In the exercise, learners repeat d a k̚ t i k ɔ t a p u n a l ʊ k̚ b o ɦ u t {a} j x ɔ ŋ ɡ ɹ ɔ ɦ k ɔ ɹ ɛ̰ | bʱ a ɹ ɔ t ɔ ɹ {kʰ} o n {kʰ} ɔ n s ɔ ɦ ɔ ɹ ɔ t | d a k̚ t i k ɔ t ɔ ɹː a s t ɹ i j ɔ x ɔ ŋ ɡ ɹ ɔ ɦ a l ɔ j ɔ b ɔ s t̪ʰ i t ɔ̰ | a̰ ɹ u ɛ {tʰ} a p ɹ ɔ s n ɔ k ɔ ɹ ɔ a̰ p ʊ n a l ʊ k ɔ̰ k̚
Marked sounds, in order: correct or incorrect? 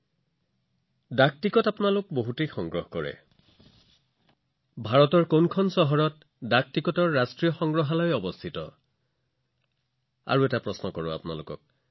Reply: incorrect: e, incorrect: k, correct, incorrect: t

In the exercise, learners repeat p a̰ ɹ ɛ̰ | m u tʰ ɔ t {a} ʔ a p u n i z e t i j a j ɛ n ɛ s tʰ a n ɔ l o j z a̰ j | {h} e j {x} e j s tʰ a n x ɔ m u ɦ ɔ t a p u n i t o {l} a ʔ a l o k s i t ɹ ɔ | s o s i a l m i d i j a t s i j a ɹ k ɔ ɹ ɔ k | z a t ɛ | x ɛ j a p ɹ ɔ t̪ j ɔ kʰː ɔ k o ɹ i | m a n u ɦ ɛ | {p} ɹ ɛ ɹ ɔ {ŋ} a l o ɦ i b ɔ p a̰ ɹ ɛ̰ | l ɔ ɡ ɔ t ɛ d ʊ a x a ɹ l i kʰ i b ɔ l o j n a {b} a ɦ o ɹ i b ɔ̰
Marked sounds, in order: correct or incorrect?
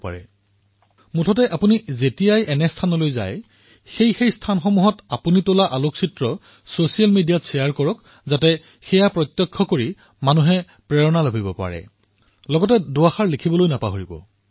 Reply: incorrect: ɛ, incorrect: x, correct, correct, correct, incorrect: n, incorrect: p

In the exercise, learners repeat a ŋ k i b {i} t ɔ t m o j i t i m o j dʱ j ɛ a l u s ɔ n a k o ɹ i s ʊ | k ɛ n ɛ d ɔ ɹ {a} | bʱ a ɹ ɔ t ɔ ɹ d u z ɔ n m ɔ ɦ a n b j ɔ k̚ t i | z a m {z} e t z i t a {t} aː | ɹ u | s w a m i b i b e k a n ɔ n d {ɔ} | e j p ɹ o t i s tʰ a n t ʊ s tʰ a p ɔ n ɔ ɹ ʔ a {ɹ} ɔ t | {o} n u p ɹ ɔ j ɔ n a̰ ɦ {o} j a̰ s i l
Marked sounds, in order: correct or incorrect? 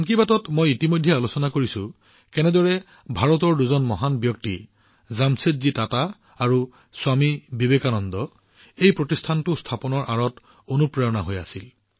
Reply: incorrect: a, incorrect: ɛ, incorrect: s, correct, correct, correct, correct, correct

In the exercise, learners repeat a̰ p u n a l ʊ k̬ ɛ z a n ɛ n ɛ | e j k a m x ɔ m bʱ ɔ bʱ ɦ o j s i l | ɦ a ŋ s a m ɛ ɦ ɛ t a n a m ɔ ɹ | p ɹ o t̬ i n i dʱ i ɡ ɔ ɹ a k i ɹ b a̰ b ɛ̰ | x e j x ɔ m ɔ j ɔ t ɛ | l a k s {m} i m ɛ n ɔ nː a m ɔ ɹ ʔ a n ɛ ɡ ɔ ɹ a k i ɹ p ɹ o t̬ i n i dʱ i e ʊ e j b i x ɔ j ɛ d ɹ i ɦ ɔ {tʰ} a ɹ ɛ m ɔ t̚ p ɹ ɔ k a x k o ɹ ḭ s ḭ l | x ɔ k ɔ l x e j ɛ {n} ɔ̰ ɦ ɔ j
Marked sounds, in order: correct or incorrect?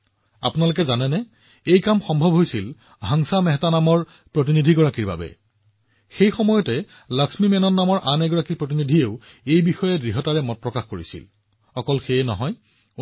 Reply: correct, incorrect: t, correct

